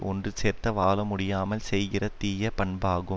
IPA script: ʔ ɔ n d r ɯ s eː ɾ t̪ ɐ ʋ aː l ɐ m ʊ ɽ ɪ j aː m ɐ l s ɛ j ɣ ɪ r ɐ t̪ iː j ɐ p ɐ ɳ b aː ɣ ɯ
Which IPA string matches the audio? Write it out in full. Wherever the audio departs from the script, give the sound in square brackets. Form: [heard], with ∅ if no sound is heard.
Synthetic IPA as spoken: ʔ ɔ n d r ɯ s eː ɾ t̪ ɐ ʋ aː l ɐ m ʊ ɽ ɪ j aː m ɐ l s ɛ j ɣ ɪ r ɐ t̪ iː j ɐ p ɐ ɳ b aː ɣ ɯ